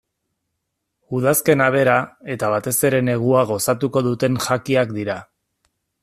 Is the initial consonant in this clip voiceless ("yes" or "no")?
no